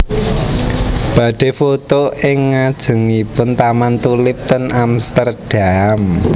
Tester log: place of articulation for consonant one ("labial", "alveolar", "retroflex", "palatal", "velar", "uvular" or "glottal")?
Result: labial